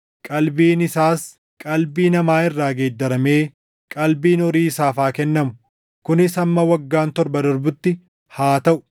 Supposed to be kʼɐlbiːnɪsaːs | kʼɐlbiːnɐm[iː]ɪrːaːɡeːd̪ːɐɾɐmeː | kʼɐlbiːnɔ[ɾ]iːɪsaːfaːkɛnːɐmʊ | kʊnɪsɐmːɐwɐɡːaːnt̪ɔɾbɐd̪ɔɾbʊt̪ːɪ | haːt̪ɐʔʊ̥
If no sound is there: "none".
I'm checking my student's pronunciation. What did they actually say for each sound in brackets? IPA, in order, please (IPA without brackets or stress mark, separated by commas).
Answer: aː, ɾ